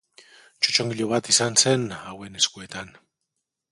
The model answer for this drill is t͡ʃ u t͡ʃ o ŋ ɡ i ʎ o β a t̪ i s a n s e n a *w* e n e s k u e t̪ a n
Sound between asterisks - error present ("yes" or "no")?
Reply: no